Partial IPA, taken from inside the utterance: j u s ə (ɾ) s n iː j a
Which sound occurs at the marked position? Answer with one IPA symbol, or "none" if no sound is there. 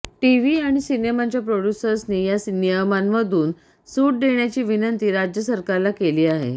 ɾ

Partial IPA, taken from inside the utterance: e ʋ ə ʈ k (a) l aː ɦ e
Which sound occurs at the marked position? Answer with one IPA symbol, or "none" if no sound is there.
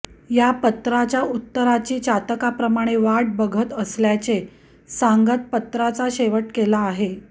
e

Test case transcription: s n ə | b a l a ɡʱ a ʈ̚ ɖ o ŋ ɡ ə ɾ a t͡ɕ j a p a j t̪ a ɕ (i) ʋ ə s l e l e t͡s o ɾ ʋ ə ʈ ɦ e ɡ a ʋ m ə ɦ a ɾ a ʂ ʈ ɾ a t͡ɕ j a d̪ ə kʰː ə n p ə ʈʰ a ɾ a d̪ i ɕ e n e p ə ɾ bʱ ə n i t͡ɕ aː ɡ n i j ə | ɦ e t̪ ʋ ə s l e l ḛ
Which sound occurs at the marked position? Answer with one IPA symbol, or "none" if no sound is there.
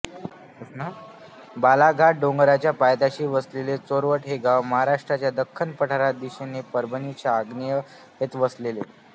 iː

